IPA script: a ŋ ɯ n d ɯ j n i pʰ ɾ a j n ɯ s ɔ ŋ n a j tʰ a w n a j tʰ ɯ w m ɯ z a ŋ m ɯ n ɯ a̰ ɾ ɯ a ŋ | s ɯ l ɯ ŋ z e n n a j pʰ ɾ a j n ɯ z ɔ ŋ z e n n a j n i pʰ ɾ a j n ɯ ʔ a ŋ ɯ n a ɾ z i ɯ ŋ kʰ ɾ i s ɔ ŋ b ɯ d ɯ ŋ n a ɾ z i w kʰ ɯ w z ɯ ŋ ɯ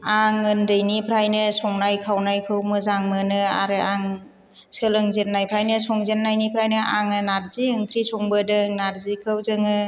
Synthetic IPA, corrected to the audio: a ŋ ɯ n d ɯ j n i pʰ ɾ a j n ɯ s ɔ ŋ n a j kʰ a w n a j kʰ ɯ w m ɯ z a ŋ m ɯ n ɯ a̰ ɾ ɯ a ŋ | s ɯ l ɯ ŋ z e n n a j pʰ ɾ a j n ɯ s ɔ ŋ z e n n a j n i pʰ ɾ a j n ɯ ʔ a ŋ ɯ n a ɾ z i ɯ ŋ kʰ ɾ i s ɔ ŋ b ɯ d ɯ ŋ n a ɾ z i kʰ ɯ w z ɯ ŋ ɯ